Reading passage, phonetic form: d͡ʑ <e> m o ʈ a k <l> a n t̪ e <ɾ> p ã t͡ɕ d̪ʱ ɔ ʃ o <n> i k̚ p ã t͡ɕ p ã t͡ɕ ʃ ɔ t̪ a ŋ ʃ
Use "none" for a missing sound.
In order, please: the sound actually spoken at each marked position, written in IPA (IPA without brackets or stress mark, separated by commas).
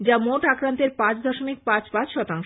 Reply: a, ɾ, ɾ, m